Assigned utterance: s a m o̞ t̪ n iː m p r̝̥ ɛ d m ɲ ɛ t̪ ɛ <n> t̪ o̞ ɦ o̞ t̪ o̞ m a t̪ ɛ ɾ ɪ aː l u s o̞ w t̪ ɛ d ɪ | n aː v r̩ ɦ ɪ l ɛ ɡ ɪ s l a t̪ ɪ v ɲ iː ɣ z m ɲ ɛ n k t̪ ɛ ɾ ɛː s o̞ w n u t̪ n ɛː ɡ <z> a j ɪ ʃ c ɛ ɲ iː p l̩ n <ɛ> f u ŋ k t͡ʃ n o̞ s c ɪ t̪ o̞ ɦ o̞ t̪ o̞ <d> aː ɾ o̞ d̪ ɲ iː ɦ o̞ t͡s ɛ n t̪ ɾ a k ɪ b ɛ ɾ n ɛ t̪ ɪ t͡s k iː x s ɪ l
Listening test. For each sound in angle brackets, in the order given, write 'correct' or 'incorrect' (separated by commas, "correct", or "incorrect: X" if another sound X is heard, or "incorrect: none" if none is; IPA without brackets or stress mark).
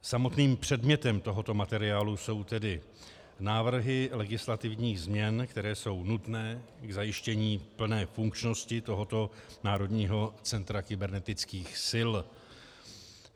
incorrect: m, correct, incorrect: ɛː, incorrect: n